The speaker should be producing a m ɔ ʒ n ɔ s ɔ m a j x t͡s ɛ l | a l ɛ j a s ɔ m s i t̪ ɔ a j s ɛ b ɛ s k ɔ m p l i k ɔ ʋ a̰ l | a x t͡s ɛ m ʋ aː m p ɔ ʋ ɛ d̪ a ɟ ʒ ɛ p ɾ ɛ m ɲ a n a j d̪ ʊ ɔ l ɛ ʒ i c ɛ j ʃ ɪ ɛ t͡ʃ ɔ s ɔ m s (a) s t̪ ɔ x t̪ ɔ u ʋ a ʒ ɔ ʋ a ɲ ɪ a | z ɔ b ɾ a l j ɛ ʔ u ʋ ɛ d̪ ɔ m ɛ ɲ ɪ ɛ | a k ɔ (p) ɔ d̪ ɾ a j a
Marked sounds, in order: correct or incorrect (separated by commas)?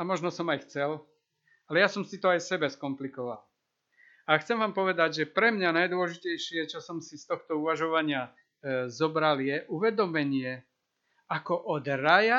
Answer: incorrect, incorrect